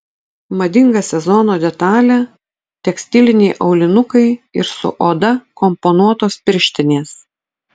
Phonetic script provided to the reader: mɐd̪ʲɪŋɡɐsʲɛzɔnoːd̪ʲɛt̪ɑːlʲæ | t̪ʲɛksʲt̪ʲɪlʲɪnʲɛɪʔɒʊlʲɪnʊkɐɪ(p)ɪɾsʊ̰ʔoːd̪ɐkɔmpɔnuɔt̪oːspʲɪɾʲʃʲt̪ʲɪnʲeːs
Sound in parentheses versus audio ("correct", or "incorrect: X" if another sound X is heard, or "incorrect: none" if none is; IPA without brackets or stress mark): incorrect: none